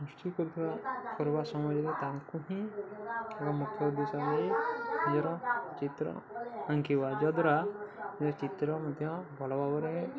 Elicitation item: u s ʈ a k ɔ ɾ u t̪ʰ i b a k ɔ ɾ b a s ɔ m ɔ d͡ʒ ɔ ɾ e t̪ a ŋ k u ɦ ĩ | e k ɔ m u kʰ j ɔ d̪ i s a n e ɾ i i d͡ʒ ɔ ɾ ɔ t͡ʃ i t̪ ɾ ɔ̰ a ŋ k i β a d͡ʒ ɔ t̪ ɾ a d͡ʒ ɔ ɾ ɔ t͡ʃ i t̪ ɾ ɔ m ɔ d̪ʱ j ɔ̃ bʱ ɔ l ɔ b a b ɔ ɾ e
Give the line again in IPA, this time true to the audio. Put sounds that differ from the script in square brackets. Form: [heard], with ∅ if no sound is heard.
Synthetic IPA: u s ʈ [i] k ɔ ɾ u t̪ʰ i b a k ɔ ɾ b a s ɔ m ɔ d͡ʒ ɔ ɾ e t̪ a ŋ k u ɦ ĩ | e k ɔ m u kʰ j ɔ d̪ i s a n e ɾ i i d͡ʒ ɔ ɾ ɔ t͡ʃ i t̪ ɾ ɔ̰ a ŋ k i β a d͡ʒ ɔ [d̪] ɾ a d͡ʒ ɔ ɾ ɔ t͡ʃ i t̪ ɾ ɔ m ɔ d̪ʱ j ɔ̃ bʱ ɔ l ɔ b a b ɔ ɾ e